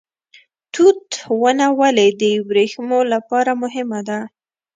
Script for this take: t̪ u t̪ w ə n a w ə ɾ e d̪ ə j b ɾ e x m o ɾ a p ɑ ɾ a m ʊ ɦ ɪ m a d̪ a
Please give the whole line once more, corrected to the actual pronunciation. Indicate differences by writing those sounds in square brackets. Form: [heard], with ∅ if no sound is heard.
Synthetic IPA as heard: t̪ u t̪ w ə n a w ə [l] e d̪ ə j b ɾ e x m o [l] a p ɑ ɾ a m ʊ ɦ ɪ m a d̪ a

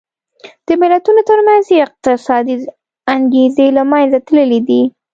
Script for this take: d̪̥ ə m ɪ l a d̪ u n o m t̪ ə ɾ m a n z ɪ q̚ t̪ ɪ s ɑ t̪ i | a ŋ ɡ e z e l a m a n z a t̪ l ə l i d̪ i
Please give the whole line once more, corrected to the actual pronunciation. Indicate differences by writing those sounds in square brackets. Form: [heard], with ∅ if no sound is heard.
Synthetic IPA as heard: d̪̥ ə m ɪ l a [t̪] u n o [∅] t̪ ə ɾ m a n z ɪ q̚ t̪ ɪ s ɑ [d̪] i | a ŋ ɡ e z e l a m a n z a t̪ l ə l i d̪ i

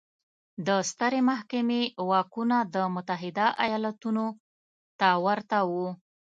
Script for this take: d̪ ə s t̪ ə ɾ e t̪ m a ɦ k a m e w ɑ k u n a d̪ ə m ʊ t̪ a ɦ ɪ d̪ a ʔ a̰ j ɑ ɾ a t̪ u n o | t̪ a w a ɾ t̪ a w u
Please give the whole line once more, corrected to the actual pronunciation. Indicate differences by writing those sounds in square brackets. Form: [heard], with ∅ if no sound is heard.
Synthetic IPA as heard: d̪ ə s t̪ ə ɾ e [∅] m a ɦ k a m e w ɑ k u n a d̪ ə m ʊ t̪ a ɦ ɪ d̪ a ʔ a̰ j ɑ [l] a t̪ u n o | t̪ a w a ɾ t̪ a w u

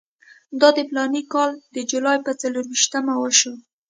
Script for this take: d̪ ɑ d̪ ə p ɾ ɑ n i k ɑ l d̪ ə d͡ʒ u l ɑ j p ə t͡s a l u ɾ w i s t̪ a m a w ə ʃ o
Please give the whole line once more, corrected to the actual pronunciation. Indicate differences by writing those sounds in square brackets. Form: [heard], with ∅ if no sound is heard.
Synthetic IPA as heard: d̪ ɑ d̪ ə p [l] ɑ n i k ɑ l d̪ ə d͡ʒ u l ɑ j p ə t͡s a l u ɾ w i [ʃ] t̪ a m a w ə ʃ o

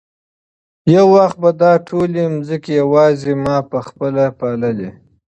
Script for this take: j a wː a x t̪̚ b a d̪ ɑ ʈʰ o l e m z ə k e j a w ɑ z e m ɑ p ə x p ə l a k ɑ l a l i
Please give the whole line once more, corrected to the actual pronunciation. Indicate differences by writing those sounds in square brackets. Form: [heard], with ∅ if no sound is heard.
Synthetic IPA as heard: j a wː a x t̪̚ b a d̪ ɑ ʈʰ o l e m z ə k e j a w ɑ z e m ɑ p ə x p ə l a [p] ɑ l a l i

